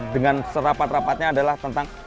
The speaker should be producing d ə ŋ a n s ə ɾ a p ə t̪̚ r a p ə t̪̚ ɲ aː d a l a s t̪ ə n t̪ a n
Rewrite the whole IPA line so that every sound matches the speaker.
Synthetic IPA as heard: d ə ŋ a n s ə ɾ a p a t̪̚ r a p a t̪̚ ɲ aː d a l a h t̪ ə n t̪ a ŋ